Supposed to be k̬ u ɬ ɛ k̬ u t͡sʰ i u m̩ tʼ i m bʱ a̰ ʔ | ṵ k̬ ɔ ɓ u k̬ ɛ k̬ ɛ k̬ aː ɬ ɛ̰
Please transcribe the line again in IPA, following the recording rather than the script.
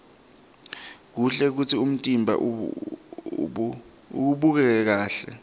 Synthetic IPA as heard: k̬ u ɬ ɛ k̬ u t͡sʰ i u m̩ tʼ i m bʱ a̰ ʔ | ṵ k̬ u ɓ u k̬ ɛ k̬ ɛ k̬ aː ɬ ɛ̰